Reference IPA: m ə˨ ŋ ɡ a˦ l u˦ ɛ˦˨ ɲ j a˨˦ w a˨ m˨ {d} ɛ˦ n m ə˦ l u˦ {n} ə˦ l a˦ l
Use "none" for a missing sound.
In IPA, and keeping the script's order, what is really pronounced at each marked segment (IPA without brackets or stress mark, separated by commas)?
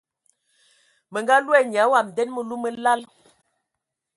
d, m